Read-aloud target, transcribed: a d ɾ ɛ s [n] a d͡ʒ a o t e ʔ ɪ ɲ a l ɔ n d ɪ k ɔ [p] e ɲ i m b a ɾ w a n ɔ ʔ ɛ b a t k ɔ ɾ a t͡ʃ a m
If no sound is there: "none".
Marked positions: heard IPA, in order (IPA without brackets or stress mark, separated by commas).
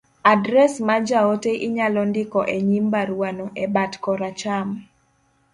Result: m, ʔ